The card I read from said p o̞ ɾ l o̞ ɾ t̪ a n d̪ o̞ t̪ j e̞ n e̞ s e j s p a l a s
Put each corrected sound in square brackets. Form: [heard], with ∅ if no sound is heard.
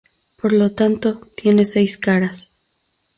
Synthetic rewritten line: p o̞ ɾ l o̞ [∅] t̪ a n [t̪] o̞ t̪ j e̞ n e̞ s e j s [k] a [ɾ] a s